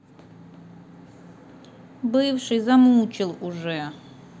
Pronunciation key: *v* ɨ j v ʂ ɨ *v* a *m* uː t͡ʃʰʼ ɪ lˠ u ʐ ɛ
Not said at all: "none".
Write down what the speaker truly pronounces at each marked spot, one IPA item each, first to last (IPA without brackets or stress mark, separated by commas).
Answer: b, z, m